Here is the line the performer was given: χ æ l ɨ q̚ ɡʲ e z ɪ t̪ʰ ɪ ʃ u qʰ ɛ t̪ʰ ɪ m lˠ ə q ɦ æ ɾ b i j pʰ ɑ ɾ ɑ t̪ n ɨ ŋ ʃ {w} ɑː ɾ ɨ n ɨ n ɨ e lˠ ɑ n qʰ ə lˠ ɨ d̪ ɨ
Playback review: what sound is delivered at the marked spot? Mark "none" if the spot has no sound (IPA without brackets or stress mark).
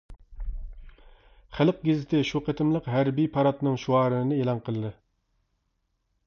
u